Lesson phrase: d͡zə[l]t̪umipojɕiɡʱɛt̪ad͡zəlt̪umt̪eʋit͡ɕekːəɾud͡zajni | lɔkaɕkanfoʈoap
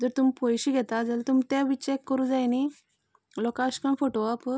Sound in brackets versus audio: incorrect: ɾ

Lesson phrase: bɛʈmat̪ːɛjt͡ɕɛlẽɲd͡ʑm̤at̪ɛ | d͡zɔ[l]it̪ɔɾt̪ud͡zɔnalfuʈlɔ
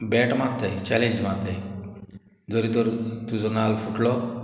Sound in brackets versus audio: incorrect: ɾ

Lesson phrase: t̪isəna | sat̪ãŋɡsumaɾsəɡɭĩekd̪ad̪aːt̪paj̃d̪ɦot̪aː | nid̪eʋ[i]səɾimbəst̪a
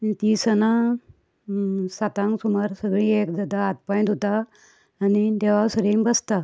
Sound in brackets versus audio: incorrect: a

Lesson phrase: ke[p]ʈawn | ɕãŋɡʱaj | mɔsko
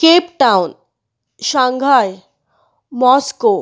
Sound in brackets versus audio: correct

